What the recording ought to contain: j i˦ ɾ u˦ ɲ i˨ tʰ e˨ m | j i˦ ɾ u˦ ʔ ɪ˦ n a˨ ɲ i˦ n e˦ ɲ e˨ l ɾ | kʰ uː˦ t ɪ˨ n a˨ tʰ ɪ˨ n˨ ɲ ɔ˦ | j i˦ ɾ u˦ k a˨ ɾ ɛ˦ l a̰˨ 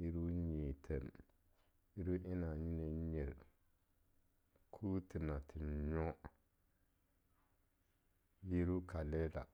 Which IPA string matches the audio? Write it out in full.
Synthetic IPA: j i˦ ɾ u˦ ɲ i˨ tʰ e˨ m | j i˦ ɾ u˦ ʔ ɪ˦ n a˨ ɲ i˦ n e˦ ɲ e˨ ɾ | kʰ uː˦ t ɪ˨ n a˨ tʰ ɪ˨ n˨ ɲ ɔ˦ | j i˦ ɾ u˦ k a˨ l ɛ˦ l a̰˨